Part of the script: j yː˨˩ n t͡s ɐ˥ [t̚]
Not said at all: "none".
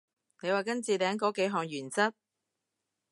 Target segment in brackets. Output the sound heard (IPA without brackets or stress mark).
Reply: t̚